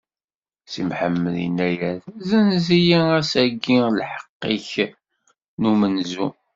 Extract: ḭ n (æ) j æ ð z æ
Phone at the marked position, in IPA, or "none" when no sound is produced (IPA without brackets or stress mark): æ